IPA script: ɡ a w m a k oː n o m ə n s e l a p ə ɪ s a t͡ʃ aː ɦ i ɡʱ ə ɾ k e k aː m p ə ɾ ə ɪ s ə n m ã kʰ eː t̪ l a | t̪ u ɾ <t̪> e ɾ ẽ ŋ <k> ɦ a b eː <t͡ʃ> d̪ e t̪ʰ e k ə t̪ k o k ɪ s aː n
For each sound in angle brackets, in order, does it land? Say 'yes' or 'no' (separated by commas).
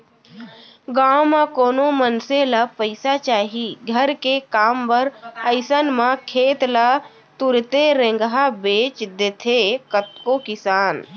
yes, no, yes